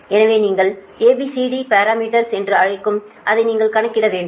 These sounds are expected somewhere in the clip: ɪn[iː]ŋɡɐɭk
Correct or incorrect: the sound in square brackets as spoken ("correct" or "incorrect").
correct